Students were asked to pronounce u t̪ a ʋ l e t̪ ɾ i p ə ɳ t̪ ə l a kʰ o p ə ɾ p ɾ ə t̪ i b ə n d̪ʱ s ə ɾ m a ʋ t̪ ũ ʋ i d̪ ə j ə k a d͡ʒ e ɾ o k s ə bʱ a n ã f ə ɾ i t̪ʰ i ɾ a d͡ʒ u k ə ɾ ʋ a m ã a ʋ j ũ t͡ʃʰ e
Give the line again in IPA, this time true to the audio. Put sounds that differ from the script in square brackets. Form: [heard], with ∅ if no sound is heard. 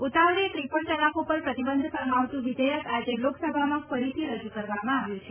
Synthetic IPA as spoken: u t̪ a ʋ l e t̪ ɾ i p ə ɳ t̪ ə l a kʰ o p ə ɾ p ɾ ə t̪ i b ə n d̪ʱ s ə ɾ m a ʋ t̪ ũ ʋ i d̪ ə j ə k a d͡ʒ e [l] o k s ə bʱ a [m] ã f ə ɾ i t̪ʰ i ɾ [ə] d͡ʒ u k ə ɾ ʋ a m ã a ʋ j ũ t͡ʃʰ e